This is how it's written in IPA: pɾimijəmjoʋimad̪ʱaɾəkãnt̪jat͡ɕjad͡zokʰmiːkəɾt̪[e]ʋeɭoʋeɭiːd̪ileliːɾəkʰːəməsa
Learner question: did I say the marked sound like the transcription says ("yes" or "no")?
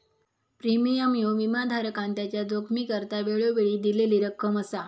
no